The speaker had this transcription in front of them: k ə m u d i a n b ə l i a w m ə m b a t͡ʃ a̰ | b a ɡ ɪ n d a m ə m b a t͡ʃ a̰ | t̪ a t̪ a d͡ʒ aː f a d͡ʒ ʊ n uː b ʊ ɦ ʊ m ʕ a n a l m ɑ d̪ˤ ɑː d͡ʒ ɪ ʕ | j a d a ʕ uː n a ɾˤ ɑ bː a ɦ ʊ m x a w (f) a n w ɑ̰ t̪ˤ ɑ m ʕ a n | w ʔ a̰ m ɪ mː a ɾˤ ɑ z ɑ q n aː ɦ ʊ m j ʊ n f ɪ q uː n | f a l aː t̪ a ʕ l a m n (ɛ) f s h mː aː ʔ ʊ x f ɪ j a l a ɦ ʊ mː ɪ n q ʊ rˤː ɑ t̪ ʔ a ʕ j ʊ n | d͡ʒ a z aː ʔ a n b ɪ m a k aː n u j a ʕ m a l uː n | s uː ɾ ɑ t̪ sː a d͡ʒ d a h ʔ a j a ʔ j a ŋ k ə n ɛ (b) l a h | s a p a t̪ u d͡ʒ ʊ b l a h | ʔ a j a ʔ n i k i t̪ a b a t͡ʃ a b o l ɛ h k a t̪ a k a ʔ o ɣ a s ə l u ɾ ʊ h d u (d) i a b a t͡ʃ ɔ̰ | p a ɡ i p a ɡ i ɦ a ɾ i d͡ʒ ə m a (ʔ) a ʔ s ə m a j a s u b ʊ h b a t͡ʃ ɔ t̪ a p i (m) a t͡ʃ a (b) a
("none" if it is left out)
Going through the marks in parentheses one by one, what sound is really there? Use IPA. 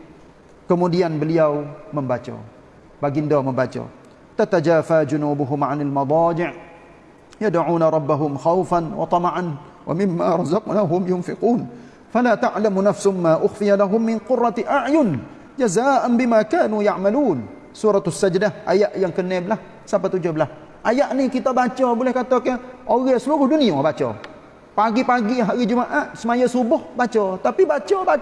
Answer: f, a, b, n, ʔ, b, b

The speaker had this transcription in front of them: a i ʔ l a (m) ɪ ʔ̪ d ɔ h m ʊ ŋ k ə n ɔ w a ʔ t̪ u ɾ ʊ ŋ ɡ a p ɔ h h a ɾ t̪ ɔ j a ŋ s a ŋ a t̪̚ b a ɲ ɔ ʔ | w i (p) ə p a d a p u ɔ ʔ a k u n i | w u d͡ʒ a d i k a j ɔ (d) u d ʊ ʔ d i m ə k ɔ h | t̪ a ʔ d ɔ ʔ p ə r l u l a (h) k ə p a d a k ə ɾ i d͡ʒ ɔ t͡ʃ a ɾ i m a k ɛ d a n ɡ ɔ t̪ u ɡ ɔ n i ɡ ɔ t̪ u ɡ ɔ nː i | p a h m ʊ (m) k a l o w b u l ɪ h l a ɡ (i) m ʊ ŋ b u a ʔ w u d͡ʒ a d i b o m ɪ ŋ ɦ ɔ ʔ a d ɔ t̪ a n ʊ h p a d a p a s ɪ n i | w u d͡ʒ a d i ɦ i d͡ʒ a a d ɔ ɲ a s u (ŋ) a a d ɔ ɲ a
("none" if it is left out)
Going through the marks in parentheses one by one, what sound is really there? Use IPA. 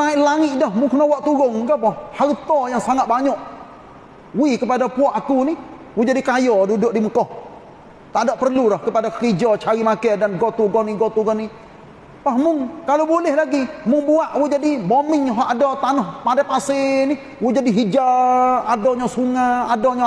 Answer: ŋ, k, d, h, ŋ, i, ŋ

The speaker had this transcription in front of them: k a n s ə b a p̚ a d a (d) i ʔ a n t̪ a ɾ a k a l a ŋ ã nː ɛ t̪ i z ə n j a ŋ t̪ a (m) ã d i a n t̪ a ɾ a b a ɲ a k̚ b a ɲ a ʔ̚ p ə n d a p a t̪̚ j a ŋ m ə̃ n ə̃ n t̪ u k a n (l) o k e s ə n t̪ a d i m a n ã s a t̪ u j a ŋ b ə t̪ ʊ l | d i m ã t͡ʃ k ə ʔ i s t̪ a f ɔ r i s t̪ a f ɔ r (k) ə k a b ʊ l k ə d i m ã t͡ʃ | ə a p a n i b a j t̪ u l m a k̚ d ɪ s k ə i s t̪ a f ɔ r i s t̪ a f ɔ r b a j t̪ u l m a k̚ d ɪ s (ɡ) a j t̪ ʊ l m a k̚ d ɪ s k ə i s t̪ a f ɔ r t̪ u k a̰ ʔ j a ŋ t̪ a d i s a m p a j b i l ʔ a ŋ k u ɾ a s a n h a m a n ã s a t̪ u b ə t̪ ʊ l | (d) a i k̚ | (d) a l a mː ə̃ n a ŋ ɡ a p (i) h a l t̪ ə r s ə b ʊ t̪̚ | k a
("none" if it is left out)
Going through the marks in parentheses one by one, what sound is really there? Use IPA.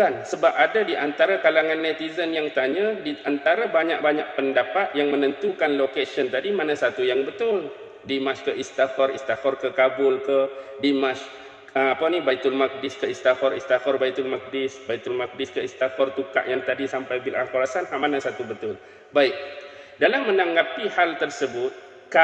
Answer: d, ɲ, l, k, b, b, d, i

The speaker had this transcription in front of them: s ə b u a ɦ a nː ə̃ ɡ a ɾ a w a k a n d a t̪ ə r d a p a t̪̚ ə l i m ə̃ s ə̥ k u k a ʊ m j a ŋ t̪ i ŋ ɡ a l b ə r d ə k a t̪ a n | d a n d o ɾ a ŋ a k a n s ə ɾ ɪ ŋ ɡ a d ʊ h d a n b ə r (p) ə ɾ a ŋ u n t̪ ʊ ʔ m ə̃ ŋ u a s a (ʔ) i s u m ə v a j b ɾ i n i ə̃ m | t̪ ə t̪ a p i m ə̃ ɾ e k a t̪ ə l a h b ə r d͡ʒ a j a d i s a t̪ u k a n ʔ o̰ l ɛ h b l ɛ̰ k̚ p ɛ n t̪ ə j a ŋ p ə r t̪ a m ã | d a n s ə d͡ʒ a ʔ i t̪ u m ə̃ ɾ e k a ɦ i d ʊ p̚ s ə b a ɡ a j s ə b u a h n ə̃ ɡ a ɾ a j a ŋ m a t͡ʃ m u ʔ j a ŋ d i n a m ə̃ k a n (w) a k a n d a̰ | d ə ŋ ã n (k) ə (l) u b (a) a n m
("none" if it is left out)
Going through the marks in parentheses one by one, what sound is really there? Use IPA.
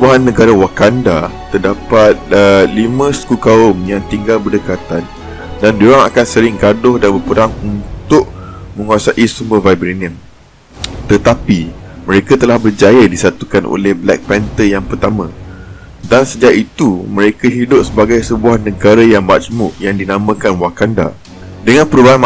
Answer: p, ʔ, w, p, ɾ, a

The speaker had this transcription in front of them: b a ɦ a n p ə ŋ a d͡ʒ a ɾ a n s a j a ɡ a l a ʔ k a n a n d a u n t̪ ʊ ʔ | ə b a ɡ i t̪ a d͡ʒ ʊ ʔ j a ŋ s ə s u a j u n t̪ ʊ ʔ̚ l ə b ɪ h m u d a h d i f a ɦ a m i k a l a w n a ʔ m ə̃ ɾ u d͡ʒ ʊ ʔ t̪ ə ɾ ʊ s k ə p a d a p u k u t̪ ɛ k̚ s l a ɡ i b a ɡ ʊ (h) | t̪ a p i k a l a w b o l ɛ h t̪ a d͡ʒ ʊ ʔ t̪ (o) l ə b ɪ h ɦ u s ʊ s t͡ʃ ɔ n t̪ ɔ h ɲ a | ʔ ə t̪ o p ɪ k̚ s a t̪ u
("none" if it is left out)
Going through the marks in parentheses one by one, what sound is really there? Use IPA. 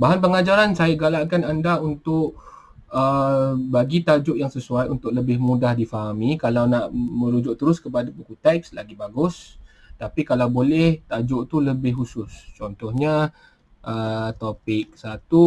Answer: s, u

